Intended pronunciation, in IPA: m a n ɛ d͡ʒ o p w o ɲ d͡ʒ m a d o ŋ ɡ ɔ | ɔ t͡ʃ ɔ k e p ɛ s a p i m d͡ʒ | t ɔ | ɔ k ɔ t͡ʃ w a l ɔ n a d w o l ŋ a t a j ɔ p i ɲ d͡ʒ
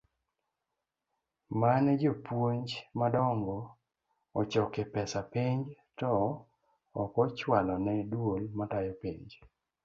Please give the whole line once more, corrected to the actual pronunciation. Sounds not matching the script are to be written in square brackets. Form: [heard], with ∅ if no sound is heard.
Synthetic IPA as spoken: m a n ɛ d͡ʒ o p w o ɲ d͡ʒ m a d [ɔ] ŋ ɡ ɔ | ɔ t͡ʃ ɔ k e p ɛ s a p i [ɲ] d͡ʒ | t ɔ | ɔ k ɔ t͡ʃ w a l ɔ n [ɛ] d w o l [m] a t a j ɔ p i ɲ d͡ʒ